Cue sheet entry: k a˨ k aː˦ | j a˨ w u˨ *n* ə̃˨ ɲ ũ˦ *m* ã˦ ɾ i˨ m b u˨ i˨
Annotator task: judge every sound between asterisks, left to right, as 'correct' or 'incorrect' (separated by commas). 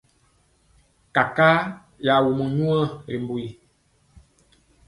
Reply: incorrect, incorrect